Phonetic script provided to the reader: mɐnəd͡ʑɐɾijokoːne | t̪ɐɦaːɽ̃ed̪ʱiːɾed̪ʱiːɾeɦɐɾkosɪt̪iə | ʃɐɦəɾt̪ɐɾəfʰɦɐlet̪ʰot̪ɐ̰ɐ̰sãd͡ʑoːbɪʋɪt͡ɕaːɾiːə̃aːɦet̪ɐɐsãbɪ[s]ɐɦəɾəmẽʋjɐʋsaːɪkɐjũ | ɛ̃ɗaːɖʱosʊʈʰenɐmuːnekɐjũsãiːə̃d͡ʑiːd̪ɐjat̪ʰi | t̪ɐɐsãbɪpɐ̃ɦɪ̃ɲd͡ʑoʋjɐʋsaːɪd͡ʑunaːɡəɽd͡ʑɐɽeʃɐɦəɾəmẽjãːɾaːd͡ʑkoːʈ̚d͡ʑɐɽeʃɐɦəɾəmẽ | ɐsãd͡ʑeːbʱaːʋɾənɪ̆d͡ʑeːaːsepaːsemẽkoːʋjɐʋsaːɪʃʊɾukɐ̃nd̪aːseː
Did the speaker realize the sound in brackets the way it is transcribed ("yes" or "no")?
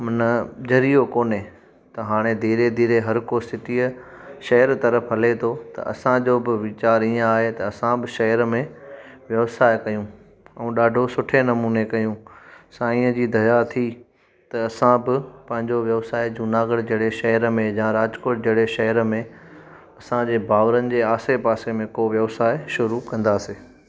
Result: no